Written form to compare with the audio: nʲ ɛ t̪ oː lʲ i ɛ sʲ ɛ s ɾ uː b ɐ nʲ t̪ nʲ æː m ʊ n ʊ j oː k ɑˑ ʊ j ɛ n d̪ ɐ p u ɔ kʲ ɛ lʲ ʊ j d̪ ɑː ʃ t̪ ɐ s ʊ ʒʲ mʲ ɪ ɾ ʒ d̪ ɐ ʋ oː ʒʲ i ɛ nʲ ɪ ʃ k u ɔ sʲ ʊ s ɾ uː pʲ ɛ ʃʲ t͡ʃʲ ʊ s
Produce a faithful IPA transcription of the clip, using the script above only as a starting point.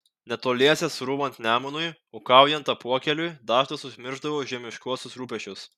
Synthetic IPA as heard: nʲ ɛ t̪ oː lʲ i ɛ sʲ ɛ s ɾ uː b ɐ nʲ t̪ nʲ æː m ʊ n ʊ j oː k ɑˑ ʊ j ɛ n t̪ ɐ p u ɔ kʲ ɛ lʲ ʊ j d̪ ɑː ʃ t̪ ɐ s ʊ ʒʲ mʲ ɪ ɾ ʒ d̪ ɐ ʋ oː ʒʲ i ɛ mʲ ɪ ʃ k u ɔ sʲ ʊ s ɾ uː pʲ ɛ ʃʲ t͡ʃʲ ʊ s